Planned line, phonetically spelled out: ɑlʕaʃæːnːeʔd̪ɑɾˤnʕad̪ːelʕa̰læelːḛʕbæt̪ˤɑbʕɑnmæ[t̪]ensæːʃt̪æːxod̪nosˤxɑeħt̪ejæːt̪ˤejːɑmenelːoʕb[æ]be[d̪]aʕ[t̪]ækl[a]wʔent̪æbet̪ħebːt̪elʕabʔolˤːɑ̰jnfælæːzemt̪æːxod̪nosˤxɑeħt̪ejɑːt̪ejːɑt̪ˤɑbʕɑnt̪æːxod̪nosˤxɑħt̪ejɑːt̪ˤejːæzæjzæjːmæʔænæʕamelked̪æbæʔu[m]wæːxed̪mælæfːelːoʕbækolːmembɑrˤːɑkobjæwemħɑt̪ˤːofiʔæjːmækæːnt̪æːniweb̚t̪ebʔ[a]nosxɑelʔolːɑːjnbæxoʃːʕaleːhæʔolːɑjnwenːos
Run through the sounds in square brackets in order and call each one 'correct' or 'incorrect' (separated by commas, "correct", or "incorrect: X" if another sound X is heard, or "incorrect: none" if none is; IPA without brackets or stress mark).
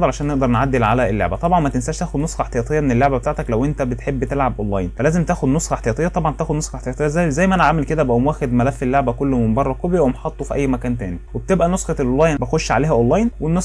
correct, correct, incorrect: t̪, correct, incorrect: æ, correct, incorrect: æ